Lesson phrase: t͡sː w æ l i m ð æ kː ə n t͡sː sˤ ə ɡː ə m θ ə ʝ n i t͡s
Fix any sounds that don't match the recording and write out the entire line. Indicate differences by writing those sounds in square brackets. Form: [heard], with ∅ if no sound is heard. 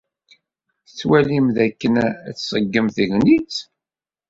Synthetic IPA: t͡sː w æ l i m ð æ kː ə n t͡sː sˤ ə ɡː ə m θ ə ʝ n i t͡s